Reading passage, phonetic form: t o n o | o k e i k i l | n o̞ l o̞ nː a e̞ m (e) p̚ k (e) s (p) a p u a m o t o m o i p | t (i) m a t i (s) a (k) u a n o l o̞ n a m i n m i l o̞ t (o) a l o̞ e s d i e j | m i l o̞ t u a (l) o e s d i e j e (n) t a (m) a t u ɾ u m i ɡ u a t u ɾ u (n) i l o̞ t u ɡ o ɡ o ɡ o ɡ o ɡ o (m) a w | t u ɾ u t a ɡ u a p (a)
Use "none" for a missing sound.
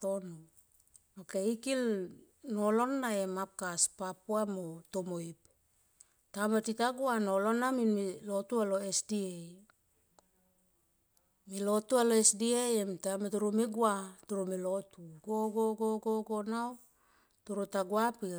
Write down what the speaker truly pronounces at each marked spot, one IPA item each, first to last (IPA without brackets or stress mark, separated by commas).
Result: a, a, p, a, t, ɡ, u, l, m, m, m, n, i